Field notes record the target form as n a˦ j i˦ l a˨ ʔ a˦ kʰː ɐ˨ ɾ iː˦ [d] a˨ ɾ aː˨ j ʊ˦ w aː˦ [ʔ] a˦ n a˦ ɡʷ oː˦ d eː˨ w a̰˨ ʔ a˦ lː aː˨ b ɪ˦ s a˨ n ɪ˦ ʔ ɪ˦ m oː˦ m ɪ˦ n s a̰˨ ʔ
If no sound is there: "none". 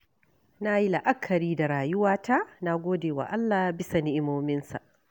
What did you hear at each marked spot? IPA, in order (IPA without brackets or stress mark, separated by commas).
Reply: d, t